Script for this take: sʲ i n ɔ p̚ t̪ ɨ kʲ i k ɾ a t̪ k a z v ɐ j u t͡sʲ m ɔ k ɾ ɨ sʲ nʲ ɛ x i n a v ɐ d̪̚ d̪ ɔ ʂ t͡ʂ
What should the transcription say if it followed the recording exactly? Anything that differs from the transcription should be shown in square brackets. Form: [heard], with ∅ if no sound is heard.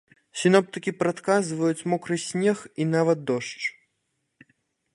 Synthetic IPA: sʲ i n ɔ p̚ t̪ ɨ kʲ i [p] ɾ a t̪ k a z v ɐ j u t͡sʲ m ɔ k ɾ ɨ sʲ nʲ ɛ x i n a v ɐ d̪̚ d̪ ɔ ʂ t͡ʂ